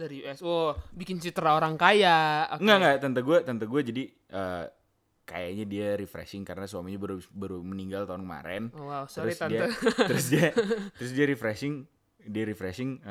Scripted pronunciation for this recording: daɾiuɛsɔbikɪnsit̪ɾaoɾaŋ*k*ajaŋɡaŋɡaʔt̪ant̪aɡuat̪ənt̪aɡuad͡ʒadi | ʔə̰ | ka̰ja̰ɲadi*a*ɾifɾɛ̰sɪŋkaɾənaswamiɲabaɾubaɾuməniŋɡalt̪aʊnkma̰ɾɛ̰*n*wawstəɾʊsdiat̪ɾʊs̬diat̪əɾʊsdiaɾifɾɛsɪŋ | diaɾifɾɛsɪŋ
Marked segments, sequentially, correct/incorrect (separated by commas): correct, correct, correct